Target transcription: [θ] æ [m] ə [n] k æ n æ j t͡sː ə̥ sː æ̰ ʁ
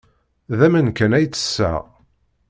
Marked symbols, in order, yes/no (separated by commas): no, yes, yes